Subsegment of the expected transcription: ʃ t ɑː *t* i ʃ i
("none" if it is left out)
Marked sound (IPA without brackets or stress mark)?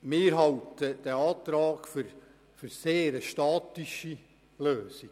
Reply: t